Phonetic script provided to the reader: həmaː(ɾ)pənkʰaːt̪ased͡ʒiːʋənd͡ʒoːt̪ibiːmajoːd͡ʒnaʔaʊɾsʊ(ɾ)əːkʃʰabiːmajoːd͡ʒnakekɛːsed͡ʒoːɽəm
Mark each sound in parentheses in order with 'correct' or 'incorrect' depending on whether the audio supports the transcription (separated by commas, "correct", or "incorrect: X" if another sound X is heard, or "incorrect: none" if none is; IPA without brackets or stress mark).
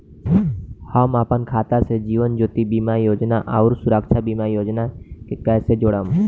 incorrect: none, correct